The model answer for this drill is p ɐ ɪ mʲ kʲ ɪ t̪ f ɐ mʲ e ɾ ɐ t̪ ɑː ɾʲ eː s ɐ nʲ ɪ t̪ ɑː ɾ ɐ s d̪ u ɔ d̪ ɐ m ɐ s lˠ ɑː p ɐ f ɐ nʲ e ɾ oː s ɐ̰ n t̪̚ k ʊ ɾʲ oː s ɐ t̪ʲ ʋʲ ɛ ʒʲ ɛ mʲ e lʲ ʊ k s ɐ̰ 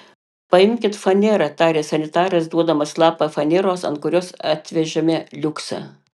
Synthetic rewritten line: p ɐ ɪ mʲ kʲ ɪ t̪ f ɐ nʲ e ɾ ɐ t̪ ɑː ɾʲ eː s ɐ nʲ ɪ t̪ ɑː ɾ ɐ s d̪ u ɔ d̪ ɐ m ɐ s lˠ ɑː p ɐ f ɐ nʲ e ɾ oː s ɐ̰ n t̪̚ k ʊ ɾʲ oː s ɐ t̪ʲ ʋʲ ɛ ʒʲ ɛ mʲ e lʲ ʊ k s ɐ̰